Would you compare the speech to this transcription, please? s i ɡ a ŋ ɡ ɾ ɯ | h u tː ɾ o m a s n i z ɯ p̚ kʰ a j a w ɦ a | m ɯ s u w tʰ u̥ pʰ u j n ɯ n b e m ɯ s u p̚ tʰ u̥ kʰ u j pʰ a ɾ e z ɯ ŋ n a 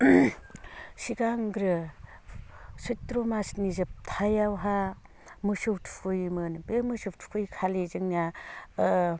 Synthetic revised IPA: s i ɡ a ŋ ɡ ɾ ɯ | s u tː ɾ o m a s n i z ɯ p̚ tʰ a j a w ɦ a | m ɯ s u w tʰ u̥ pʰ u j m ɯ n b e m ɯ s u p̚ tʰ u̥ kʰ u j kʰ a l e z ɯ ŋ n a

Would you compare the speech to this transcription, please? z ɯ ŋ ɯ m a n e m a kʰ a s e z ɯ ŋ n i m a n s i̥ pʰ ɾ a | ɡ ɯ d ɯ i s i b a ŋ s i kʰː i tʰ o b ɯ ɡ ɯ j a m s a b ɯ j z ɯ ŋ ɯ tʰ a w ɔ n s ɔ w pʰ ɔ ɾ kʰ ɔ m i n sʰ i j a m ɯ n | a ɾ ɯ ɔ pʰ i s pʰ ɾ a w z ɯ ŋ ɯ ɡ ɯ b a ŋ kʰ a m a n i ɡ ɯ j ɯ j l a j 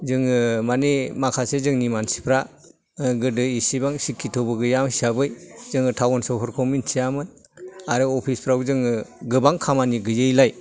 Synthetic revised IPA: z ɯ ŋ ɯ m a n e m a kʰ a s e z ɯ ŋ n i m a n s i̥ pʰ ɾ a | ɡ ɯ d ɯ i s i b a ŋ s i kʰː i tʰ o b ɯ ɡ ɯ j a m s a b ɯ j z ɯ ŋ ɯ tʰ a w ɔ n s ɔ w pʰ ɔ ɾ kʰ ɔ m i n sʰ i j a m ɯ n | a ɾ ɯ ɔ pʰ i s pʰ ɾ a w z ɯ ŋ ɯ ɡ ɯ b a ŋ kʰ a m a n i ɡ ɯ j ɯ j l a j

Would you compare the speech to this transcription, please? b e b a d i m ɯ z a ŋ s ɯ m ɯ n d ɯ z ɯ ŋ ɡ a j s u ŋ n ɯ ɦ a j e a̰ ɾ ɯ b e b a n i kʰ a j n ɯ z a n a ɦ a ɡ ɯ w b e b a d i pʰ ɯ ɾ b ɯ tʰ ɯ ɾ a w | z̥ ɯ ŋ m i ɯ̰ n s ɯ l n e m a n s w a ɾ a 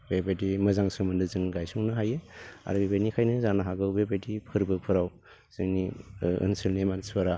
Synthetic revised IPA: b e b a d i m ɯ z a ŋ s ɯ m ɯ n d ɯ z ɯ ŋ ɡ a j s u ŋ n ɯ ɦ a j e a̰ ɾ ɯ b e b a n i kʰ a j n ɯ z a n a ɦ a ɡ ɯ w b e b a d i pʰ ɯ ɾ b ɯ pʰ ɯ ɾ a w | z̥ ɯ ŋ n i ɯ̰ n s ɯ l n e m a n s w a ɾ a

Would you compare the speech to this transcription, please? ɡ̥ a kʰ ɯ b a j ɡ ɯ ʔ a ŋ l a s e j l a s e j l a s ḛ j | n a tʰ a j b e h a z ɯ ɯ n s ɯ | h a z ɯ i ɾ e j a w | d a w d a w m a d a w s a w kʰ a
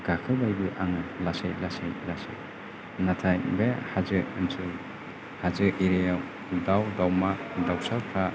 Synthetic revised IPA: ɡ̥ a kʰ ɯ b a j b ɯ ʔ a ŋ l a s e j l a s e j l a s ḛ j | n a tʰ a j b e h a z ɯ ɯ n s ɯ | h a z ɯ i ɾ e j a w | d a w d a w m a d a w s a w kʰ a

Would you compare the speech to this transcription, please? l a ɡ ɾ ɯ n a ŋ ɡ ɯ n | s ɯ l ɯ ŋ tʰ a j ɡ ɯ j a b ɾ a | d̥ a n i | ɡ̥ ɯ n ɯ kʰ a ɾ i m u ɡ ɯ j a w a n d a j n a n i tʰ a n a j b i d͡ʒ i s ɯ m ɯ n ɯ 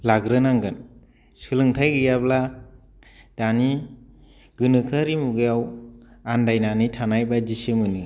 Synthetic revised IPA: l a ɡ ɾ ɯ n a ŋ ɡ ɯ n | s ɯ l ɯ ŋ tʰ a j ɡ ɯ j a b l a | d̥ a n i | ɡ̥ ɯ n ɯ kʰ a ɾ i m u ɡ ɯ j a w a n d a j n a n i tʰ a n a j b a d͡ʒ i s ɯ m ɯ n ɯ

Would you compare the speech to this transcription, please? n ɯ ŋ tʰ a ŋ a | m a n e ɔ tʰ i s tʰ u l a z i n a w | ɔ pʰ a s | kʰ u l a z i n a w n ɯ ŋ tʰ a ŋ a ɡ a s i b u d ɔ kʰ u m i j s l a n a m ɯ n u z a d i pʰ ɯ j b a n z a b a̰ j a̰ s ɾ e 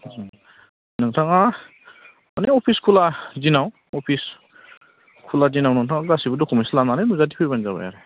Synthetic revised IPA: n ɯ ŋ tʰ a ŋ a | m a n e ɔ pʰ i s kʰ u l a z i n a w | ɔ pʰ i s | kʰ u l a z i n a w n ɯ ŋ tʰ a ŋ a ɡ a s i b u d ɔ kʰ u m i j s l a n a n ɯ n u z a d i pʰ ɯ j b a n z a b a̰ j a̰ ɾ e

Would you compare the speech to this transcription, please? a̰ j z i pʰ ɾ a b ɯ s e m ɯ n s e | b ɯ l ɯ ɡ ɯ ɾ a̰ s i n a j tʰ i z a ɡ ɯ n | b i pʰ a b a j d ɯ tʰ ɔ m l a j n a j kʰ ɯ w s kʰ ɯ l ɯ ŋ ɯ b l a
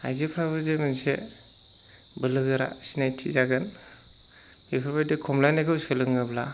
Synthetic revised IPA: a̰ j z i pʰ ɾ a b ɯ z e m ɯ n s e | b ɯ l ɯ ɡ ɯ ɾ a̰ s i n a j tʰ i z a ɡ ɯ n | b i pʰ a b a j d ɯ kʰ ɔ m l a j n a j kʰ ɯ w s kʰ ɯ l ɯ ŋ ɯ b l a

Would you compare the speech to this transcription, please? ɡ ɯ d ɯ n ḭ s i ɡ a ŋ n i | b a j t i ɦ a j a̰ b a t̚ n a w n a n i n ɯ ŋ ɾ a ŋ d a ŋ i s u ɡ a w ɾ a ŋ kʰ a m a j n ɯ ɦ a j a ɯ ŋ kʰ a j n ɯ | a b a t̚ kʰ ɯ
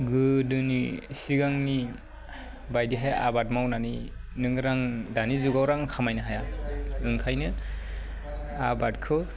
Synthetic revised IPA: ɡ ɯ d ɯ n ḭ s i ɡ a ŋ n i | b a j d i ɦ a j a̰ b a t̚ m a w n a n i n ɯ ŋ ɾ a ŋ d a n i z u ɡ a w ɾ a ŋ kʰ a m a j n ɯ ɦ a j a ɯ ŋ kʰ a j n ɯ | a b a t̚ kʰ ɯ

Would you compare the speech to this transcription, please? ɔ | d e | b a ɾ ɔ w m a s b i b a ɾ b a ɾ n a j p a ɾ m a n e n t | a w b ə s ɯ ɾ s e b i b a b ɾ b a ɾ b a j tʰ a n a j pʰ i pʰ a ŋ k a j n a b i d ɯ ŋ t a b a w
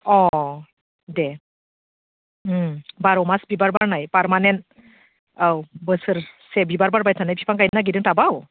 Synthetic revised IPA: ɔ | d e | b a ɾ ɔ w m a s b i b a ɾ b a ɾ n a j p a ɾ m a n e n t | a w b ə s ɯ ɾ s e b i b a ɾ b a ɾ b a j tʰ a n a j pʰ i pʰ a ŋ k a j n a ɡ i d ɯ ŋ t a b a w

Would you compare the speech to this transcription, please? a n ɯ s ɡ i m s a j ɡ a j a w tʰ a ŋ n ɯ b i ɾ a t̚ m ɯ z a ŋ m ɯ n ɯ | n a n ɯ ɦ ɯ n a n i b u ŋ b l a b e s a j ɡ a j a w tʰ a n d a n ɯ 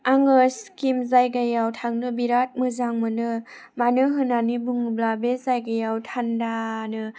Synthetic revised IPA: a ŋ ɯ s k i m z a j ɡ a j a w tʰ a ŋ n ɯ b i ɾ a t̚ m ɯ z a ŋ m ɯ n ɯ | m a n ɯ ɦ ɯ n a n i b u ŋ b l a b e z a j ɡ a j a w tʰ a n d a n ɯ

